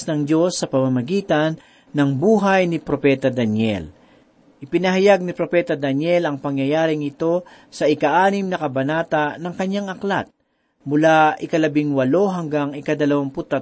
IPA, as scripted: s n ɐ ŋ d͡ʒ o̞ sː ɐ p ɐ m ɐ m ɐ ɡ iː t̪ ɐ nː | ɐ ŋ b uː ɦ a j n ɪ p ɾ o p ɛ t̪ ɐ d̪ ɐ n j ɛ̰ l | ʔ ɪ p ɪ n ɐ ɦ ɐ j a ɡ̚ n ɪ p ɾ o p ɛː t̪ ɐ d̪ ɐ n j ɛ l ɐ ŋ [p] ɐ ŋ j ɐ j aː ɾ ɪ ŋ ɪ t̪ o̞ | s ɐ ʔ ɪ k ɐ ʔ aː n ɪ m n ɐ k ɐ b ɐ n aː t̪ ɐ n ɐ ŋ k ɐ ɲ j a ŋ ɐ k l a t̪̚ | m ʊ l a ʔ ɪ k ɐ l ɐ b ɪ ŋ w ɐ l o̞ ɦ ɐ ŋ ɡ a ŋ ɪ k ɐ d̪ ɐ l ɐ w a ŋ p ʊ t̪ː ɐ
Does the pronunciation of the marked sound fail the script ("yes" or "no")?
no